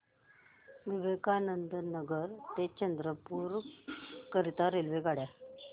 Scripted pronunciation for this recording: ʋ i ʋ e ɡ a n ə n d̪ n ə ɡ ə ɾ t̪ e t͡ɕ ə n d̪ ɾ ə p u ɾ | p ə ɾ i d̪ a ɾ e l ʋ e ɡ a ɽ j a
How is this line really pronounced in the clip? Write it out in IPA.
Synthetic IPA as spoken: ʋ i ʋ e k a n ə n d̪ n ə ɡ ə ɾ t̪ e t͡ɕ ə n d̪ ɾ ə p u ɾ | k ə ɾ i t̪ a ɾ e l ʋ e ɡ a ɽ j a